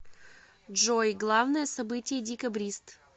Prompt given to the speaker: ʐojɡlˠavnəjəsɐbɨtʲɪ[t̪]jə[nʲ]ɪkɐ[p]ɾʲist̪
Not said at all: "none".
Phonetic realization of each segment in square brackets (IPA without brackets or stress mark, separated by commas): none, dʲ, b